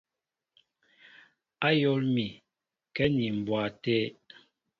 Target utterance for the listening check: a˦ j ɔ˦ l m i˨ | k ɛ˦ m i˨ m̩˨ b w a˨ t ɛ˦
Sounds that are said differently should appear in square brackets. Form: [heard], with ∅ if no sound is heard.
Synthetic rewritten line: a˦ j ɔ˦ l m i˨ | k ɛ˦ [n] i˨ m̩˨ b w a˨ t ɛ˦